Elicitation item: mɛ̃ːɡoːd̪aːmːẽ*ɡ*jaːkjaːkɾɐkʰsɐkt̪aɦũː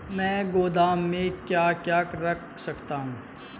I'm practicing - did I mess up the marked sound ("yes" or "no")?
yes